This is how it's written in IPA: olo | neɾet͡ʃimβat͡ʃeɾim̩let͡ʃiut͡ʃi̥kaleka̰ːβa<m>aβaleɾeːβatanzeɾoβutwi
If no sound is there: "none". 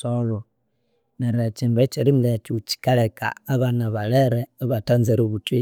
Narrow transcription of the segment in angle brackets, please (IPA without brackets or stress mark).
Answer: n